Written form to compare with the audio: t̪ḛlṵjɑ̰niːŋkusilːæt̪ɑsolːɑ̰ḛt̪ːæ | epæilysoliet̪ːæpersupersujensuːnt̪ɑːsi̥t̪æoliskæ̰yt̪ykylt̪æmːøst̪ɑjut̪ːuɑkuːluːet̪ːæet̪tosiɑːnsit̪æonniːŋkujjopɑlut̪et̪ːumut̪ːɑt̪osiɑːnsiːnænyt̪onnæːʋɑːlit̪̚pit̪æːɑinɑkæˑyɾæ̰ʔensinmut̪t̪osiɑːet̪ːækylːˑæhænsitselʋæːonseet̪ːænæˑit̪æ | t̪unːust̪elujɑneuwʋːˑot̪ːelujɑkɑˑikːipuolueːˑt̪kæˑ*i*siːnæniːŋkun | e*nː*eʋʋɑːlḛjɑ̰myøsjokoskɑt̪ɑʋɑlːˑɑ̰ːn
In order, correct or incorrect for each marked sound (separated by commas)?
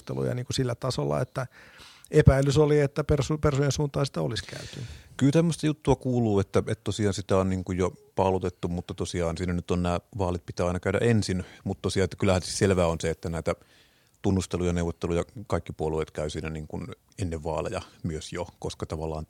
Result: incorrect, correct